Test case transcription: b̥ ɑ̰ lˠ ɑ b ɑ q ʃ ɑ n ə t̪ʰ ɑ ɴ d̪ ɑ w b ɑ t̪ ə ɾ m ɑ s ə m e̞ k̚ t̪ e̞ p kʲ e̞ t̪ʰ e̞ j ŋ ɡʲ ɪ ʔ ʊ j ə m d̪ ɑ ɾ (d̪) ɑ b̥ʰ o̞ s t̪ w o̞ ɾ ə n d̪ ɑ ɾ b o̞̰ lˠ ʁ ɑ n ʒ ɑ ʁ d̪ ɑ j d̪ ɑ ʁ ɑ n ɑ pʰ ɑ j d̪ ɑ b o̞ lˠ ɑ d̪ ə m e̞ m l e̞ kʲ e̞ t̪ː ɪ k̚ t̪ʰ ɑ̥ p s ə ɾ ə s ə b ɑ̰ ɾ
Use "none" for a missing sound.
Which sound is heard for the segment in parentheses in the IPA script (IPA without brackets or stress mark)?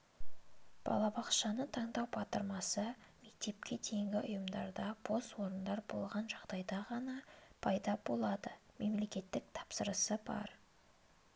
d̪